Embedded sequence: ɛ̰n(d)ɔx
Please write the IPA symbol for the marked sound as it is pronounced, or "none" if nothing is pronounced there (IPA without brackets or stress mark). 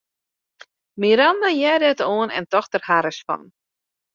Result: t